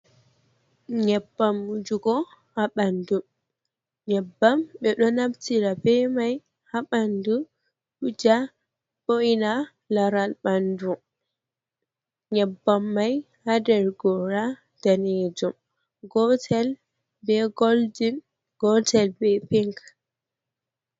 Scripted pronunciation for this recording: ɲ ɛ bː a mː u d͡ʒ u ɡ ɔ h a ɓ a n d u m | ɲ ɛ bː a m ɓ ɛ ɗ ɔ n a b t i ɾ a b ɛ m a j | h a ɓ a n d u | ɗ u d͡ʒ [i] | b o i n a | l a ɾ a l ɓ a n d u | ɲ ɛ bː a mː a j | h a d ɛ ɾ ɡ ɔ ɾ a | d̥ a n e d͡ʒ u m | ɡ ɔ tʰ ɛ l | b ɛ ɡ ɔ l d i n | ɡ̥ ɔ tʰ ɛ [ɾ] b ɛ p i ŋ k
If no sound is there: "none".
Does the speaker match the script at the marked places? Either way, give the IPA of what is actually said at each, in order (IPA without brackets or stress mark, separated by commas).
a, l